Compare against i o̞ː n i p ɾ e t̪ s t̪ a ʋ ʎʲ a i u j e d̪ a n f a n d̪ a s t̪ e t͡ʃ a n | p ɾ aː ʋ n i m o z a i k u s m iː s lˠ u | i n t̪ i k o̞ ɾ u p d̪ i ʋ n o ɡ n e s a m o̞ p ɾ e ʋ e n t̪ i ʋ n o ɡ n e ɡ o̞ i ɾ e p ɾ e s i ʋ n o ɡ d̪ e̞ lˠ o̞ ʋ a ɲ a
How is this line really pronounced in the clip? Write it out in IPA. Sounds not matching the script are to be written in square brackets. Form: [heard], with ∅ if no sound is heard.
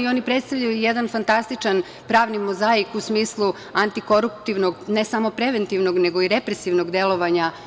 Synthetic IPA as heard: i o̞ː n i p ɾ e t̪ s t̪ a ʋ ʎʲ a [j] u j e d̪ a n f a n [t̪] a s t̪ [i] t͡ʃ a n | p ɾ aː ʋ n i m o z a i k u s m iː s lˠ u | [a] n t̪ i k o̞ ɾ u p [t̪] i ʋ n o ɡ n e s a m o̞ p ɾ e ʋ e n t̪ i ʋ n o ɡ n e ɡ o̞ i ɾ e p ɾ e s i ʋ n o ɡ d̪ e̞ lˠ o̞ ʋ a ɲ a